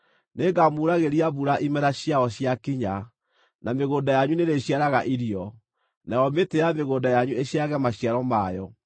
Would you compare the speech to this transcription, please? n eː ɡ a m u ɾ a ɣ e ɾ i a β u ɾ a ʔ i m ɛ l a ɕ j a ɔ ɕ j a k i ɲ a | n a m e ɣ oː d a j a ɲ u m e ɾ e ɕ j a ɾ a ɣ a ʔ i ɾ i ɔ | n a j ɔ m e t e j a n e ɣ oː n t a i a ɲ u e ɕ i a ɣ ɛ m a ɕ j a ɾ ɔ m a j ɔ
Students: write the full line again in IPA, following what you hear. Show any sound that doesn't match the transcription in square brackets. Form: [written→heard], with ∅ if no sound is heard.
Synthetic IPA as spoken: n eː ɡ a m u ɾ a ɣ e ɾ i a β u ɾ a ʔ i m ɛ [l→ɾ] a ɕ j a ɔ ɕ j a k i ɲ a | n a m e ɣ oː d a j a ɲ u [m→n] e ɾ e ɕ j a ɾ a ɣ a ʔ i ɾ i ɔ | n a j ɔ m e t e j a [n→m] e ɣ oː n [t→d] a [i→j] a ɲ u e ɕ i a ɣ ɛ m a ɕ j a ɾ ɔ m a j ɔ